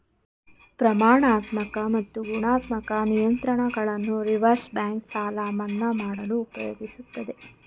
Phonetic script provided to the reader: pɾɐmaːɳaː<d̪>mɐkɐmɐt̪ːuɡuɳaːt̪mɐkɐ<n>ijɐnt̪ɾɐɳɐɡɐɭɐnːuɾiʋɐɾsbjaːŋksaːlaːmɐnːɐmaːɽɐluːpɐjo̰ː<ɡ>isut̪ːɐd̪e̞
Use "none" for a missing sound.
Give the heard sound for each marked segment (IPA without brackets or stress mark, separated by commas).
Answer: t̪, n, ɡ